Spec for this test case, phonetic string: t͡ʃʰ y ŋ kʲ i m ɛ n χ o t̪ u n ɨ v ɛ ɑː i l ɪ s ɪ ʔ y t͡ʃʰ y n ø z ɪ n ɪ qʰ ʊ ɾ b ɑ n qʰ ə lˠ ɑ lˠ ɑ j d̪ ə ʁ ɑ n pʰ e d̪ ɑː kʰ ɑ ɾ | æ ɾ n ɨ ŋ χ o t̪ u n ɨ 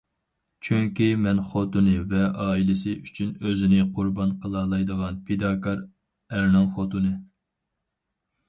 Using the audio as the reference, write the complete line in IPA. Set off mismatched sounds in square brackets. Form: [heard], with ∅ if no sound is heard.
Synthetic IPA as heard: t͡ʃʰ y ŋ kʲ i m ɛ n χ o t̪ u n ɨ v ɛ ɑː i l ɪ s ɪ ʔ y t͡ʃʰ y n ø z ɪ n ɪ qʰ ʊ ɾ b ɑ n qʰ ə lˠ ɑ lˠ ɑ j d̪ ə ʁ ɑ n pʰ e d̪ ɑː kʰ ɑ ɾ | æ ɾ n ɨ ŋ χ o t̪ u n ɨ